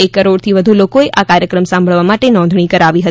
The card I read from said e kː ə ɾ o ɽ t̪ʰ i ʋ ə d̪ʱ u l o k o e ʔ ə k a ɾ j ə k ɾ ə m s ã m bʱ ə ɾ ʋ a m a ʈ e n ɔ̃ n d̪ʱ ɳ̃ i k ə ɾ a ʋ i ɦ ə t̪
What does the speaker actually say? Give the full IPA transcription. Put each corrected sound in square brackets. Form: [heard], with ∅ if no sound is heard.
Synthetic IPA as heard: e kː ə ɾ o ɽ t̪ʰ i ʋ ə d̪ʱ u l o k o e ʔ [a] k a ɾ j ə k ɾ ə m s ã m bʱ ə [ɭ] ʋ a m a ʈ e n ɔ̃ n d̪ʱ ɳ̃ i k ə ɾ a ʋ i ɦ ə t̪

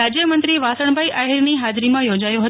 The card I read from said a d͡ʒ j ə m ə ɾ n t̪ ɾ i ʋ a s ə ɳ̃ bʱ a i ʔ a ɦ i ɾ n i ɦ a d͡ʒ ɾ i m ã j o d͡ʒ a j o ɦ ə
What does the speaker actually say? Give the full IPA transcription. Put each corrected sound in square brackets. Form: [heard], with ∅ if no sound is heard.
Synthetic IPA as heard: a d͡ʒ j ə m ə [∅] n t̪ ɾ i ʋ a s ə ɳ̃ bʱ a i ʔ a ɦ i ɾ n i ɦ a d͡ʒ ɾ i m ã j o d͡ʒ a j o ɦ ə

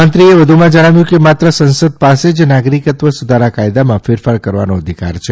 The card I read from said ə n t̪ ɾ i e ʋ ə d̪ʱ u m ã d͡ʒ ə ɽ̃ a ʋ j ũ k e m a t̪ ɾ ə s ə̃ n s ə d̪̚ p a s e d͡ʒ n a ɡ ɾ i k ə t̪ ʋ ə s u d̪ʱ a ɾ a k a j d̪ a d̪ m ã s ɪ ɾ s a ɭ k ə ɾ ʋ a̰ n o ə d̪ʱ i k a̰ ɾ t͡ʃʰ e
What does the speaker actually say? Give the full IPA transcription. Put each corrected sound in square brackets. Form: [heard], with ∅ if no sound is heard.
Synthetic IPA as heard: ə n t̪ ɾ i e ʋ ə d̪ʱ u m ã d͡ʒ ə ɽ̃ a ʋ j ũ k e m a t̪ ɾ ə s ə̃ n s ə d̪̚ p a s e d͡ʒ n a ɡ ɾ i k ə t̪ ʋ ə s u d̪ʱ a ɾ a k a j d̪ a [∅] m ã [f] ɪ ɾ [f] a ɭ k ə ɾ ʋ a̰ n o ə d̪ʱ i k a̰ ɾ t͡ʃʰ e

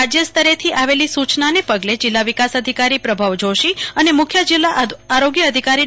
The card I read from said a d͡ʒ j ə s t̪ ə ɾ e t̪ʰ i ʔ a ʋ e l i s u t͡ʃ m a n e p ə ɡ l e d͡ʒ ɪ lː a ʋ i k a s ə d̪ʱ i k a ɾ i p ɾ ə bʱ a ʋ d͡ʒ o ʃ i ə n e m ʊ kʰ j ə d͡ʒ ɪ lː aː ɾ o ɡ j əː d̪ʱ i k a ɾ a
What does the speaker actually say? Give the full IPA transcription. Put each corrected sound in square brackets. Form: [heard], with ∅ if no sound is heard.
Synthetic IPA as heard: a d͡ʒ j ə s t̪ ə ɾ e t̪ʰ i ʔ a ʋ e l i s u t͡ʃ [n] a n e p ə ɡ l e d͡ʒ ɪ lː a ʋ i k a s ə d̪ʱ i k a ɾ i p ɾ ə bʱ a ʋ d͡ʒ o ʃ i ə n e m ʊ kʰ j ə d͡ʒ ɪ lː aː ɾ o ɡ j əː d̪ʱ i k a ɾ [i]

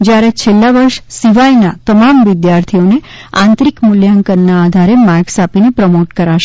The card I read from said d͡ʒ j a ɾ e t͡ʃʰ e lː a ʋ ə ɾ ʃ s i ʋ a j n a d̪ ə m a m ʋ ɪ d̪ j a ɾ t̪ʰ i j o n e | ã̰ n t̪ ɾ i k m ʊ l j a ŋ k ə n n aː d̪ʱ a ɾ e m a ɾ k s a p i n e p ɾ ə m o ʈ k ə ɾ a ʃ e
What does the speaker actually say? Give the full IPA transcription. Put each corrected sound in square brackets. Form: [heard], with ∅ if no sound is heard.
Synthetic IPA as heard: d͡ʒ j a ɾ e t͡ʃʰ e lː a ʋ ə ɾ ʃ s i ʋ a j n a [t̪] ə m a m ʋ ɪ d̪ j a ɾ t̪ʰ i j o n e | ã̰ n t̪ ɾ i k m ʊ l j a ŋ k ə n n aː d̪ʱ a ɾ e m a ɾ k s a p i n e p ɾ ə m o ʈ k ə ɾ a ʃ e

